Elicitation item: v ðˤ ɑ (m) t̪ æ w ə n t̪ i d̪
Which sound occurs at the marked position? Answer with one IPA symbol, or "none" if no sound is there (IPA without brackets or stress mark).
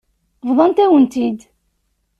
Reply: n